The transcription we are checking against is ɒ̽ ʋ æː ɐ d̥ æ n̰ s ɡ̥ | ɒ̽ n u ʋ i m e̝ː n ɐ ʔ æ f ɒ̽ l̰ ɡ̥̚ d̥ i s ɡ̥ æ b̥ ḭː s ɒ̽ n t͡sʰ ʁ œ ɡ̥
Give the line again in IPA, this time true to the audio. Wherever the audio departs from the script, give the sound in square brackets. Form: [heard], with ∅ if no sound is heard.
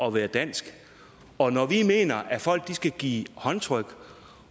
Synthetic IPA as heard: ɒ̽ ʋ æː ɐ d̥ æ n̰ s ɡ̥ | ɒ̽ n [ɒ] ʋ i m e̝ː n ɐ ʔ æ f ɒ̽ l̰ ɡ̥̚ d̥ i s ɡ̥ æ [ɡ̥] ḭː [h] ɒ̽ n t͡sʰ ʁ œ ɡ̥